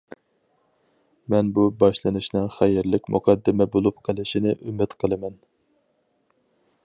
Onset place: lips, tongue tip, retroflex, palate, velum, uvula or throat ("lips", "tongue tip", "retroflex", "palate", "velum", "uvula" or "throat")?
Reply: lips